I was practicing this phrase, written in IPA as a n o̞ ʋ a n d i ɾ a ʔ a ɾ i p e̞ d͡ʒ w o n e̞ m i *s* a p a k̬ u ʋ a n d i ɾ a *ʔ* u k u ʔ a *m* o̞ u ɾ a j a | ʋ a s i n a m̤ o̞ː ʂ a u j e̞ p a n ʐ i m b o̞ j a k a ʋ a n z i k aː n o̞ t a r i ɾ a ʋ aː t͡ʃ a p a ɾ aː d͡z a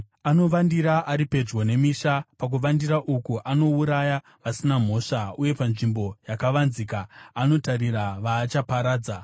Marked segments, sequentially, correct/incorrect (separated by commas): incorrect, correct, incorrect